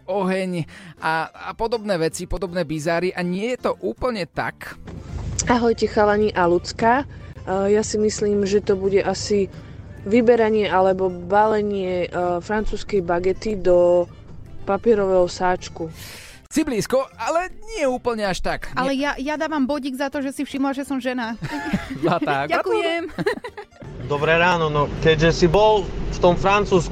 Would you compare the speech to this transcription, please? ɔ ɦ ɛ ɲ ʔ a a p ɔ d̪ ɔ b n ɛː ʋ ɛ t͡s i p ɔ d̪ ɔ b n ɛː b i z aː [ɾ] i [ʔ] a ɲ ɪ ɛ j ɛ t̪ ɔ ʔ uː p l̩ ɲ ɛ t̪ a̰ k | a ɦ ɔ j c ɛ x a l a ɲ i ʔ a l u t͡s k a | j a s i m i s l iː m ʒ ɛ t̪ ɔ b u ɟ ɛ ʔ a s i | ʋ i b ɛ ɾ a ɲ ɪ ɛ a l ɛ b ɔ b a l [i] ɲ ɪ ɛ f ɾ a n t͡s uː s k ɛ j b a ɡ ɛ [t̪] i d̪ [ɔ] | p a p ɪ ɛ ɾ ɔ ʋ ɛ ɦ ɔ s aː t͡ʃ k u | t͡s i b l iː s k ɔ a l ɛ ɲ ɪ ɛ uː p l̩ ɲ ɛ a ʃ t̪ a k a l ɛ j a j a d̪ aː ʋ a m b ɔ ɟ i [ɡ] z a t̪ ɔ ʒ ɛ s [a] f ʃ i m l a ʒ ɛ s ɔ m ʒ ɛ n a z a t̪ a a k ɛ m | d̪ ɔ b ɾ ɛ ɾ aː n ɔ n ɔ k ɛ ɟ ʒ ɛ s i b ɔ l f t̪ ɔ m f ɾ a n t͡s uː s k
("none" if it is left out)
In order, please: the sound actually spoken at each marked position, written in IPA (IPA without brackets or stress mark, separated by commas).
ɾ, ʔ, ɛ, t̪, ɔ, ɡ, i